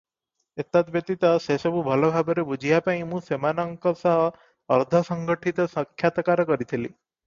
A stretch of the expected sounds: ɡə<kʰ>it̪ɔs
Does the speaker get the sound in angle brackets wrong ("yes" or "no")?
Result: yes